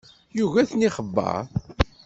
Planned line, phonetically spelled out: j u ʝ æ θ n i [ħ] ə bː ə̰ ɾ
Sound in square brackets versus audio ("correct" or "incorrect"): incorrect